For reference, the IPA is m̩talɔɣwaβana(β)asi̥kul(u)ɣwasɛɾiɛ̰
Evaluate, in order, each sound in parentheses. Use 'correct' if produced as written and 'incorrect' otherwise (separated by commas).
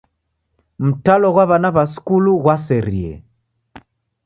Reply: correct, correct